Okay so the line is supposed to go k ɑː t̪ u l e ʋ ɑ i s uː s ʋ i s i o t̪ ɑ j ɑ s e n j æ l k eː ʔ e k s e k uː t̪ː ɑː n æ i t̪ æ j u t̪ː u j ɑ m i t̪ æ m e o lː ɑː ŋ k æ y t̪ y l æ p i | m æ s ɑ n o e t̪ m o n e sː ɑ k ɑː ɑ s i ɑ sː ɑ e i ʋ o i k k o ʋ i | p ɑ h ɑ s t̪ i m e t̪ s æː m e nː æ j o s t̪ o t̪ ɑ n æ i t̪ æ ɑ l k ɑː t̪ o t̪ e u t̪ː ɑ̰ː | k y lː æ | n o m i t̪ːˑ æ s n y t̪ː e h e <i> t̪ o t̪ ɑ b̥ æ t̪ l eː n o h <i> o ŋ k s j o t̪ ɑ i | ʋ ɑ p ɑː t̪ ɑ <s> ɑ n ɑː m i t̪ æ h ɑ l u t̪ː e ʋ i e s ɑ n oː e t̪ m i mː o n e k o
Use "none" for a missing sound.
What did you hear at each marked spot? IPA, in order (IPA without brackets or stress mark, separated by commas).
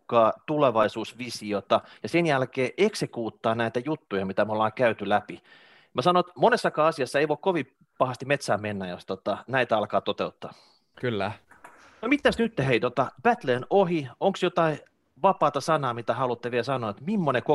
i, i, s